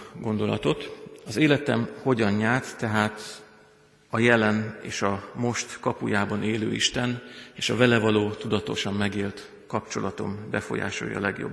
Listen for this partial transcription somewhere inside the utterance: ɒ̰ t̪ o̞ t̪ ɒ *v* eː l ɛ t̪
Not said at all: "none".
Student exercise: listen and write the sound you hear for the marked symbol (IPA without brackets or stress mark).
z